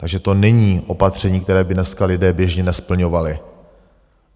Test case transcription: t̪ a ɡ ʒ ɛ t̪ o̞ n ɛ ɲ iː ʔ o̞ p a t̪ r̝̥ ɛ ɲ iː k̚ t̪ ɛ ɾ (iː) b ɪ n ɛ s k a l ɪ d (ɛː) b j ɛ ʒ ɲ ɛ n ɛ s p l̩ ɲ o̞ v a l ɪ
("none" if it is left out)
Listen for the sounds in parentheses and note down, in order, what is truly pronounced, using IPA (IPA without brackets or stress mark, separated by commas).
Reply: ɛː, ɛː